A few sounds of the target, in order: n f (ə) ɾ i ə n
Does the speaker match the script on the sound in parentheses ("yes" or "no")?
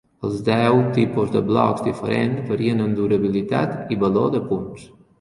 yes